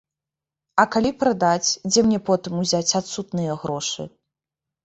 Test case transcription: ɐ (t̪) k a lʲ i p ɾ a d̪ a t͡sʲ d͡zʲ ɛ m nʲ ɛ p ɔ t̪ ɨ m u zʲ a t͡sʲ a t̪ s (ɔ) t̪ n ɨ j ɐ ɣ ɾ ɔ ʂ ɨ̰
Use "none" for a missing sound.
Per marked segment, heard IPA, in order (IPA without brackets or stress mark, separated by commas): none, u